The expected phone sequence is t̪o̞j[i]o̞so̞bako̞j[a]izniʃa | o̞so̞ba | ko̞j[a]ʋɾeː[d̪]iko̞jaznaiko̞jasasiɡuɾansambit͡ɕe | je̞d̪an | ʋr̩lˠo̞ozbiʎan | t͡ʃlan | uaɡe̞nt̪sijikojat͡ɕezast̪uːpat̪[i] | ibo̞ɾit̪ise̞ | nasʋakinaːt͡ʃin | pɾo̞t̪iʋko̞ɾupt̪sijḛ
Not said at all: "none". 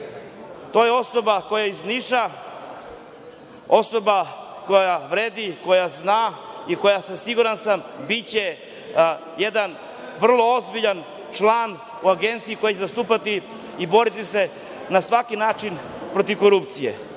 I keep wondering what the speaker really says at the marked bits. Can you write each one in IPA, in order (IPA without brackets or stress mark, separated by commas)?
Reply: e, a, a, d̪, i